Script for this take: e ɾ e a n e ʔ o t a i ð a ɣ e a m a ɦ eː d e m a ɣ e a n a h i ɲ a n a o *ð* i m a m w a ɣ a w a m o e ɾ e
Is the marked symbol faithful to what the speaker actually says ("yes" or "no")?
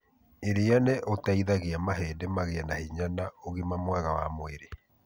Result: no